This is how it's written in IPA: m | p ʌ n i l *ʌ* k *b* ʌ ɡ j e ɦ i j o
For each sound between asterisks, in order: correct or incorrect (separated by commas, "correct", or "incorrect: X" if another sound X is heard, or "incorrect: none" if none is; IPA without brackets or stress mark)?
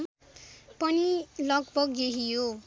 correct, correct